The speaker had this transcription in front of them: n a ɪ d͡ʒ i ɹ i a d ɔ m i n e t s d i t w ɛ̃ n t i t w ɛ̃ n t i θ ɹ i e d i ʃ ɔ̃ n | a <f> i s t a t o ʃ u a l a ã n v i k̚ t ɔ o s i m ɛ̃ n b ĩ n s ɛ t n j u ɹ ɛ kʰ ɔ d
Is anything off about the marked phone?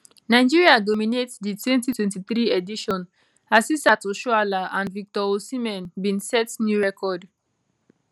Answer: yes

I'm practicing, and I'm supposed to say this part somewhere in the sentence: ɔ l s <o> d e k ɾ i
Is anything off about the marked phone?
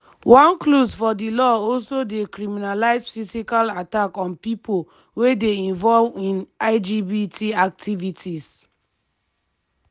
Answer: no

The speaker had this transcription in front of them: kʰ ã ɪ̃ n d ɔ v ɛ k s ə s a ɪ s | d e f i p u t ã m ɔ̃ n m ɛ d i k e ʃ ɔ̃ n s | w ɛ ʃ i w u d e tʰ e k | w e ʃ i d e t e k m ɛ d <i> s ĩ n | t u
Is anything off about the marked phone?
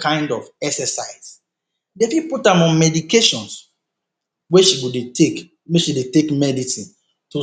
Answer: no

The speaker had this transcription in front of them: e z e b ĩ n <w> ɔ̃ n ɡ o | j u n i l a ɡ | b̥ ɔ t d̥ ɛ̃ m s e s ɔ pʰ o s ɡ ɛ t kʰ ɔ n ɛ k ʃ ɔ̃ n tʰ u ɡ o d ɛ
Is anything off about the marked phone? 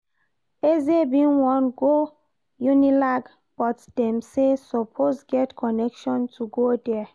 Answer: no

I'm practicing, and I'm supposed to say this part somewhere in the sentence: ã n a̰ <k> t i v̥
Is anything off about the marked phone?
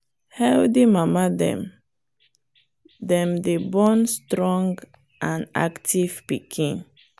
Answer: no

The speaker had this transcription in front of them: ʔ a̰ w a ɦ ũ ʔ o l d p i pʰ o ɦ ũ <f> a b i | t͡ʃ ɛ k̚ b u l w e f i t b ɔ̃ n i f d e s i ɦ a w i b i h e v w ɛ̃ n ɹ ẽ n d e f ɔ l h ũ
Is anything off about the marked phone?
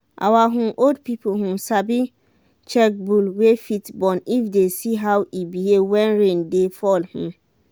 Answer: yes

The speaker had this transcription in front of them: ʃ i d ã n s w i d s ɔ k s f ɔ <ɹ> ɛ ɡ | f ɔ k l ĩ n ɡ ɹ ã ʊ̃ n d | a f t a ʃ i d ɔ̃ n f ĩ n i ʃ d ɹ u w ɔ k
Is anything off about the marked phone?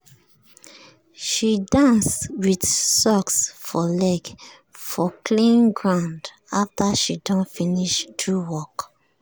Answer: yes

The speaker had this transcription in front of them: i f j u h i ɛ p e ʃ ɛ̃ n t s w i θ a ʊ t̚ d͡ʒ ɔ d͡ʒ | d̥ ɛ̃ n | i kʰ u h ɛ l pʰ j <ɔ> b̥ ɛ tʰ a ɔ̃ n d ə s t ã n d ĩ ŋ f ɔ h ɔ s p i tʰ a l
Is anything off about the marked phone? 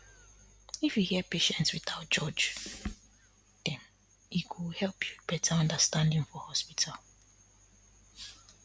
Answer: yes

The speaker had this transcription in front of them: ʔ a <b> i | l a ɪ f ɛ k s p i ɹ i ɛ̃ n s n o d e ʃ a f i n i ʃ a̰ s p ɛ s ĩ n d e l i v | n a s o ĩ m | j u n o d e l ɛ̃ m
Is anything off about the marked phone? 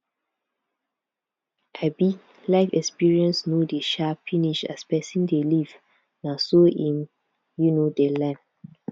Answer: no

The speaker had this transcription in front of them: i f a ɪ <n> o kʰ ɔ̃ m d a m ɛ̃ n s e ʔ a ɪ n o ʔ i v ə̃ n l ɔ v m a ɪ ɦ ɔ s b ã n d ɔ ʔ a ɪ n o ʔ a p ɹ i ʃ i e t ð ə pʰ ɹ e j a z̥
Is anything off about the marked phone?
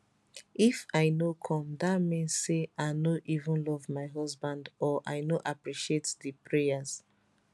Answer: no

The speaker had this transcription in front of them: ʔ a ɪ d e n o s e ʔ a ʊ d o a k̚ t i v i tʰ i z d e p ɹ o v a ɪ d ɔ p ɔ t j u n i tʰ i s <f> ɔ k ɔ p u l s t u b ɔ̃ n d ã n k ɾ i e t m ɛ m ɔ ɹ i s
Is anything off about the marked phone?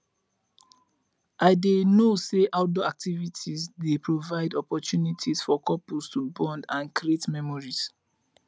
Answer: no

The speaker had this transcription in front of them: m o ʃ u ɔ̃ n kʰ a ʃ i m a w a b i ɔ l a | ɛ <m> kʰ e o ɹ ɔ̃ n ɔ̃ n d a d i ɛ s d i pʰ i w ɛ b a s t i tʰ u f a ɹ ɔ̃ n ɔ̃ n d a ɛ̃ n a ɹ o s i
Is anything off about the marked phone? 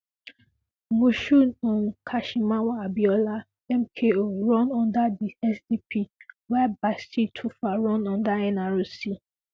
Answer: no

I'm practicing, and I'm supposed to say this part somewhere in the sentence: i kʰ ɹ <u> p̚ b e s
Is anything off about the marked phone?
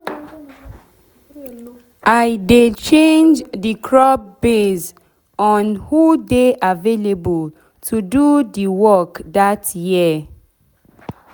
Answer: yes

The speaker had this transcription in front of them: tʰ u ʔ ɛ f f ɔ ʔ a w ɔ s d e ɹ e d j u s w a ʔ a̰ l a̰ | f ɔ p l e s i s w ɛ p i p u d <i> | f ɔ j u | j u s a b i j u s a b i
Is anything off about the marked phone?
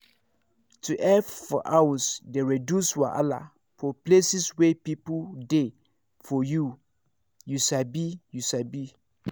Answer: yes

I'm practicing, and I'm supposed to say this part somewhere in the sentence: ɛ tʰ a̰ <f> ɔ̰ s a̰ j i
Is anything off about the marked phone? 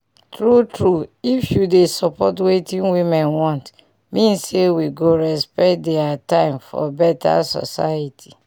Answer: yes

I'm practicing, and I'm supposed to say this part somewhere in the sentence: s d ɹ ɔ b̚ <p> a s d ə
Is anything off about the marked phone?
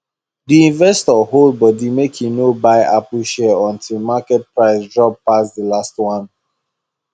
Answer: no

